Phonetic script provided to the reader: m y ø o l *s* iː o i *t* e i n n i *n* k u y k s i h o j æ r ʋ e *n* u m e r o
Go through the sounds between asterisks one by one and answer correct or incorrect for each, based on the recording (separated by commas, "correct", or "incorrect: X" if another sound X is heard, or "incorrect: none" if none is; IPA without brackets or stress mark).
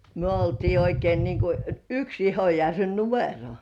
incorrect: t, incorrect: k, incorrect: ŋ, correct